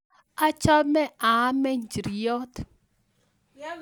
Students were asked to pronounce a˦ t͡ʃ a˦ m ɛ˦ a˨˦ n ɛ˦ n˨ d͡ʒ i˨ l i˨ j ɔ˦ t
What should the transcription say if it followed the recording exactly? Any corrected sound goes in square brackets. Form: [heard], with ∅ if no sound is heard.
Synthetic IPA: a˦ t͡ʃ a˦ m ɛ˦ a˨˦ [m] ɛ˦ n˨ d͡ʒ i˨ [ɾ] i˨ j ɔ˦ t